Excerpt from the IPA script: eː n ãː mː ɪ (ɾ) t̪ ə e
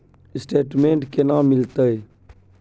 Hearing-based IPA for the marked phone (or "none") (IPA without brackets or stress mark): l